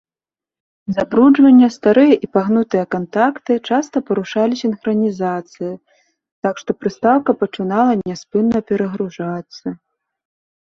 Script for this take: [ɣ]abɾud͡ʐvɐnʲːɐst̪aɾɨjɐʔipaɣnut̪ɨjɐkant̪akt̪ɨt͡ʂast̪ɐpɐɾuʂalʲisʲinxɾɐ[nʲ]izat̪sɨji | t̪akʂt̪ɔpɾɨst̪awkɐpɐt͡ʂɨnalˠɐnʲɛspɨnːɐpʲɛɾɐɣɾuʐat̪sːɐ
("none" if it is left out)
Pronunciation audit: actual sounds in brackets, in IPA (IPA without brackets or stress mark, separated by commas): z, nʲ